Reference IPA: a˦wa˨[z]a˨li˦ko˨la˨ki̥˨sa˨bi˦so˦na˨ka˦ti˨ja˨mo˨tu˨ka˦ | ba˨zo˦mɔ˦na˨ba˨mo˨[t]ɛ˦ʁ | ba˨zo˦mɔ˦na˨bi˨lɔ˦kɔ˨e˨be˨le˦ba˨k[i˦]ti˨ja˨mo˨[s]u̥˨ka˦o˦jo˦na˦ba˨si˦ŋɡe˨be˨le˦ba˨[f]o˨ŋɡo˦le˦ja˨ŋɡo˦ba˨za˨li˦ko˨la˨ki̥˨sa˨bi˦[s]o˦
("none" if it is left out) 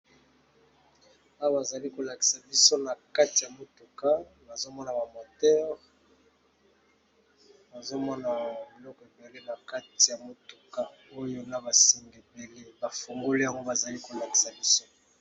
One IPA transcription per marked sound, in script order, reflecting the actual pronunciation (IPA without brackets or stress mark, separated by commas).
z, t, a˦, t, f, s